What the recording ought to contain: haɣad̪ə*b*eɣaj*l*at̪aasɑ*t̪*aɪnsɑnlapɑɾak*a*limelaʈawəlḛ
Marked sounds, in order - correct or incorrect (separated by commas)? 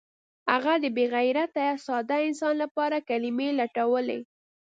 correct, incorrect, incorrect, correct